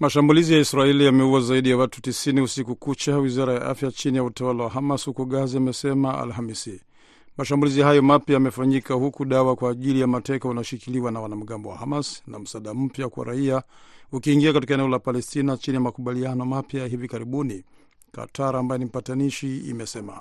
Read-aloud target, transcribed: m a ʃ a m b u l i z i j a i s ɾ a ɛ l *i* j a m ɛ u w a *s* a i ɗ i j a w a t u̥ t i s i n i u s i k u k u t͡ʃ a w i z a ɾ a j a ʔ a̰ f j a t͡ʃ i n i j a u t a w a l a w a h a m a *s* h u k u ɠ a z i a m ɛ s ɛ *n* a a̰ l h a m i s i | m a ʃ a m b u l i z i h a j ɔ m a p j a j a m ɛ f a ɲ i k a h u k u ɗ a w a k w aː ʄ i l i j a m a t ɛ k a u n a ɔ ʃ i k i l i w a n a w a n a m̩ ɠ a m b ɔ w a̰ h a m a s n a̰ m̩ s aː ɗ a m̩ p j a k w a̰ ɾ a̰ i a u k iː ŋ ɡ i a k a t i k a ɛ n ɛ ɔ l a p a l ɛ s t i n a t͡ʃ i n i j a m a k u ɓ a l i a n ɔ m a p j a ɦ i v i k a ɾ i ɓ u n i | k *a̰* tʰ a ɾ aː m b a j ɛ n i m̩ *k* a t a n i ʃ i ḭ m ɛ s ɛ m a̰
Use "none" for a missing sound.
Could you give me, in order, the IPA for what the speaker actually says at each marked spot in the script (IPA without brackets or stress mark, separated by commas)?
i, z, s, m, a̰, p